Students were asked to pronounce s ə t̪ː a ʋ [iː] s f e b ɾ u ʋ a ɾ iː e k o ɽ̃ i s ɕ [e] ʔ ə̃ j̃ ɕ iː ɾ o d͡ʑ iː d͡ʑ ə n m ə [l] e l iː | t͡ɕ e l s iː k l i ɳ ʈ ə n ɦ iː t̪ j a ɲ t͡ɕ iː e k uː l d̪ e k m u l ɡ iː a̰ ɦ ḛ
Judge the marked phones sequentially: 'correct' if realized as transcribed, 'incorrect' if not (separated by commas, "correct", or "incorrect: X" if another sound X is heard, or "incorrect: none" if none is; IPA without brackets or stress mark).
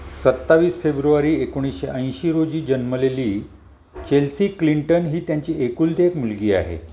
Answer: correct, correct, correct